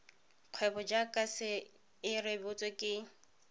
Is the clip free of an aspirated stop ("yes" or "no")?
no